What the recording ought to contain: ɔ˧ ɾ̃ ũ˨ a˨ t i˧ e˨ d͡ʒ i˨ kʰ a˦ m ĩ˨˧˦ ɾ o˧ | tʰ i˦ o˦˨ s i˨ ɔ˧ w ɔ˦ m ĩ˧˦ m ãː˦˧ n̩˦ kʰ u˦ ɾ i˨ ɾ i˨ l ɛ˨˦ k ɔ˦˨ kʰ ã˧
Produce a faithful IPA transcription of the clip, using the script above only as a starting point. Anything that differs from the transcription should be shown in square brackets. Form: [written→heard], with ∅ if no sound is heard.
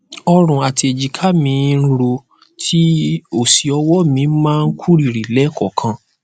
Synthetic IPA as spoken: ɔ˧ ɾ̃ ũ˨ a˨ t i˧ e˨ d͡ʒ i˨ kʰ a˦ m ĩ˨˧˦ ɾ o˧ | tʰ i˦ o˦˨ s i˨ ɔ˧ w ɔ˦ m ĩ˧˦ m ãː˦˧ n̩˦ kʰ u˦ ɾ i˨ ɾ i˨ l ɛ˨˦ k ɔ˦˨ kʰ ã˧